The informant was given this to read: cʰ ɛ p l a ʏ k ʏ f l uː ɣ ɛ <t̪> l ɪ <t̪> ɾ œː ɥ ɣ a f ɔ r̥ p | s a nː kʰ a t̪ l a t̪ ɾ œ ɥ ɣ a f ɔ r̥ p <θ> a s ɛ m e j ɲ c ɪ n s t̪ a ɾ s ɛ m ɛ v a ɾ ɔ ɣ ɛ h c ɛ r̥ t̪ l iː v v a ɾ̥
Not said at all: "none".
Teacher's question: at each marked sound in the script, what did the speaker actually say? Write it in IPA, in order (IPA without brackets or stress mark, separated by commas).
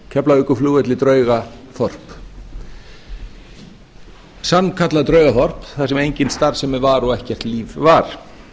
t̪, t̪, θ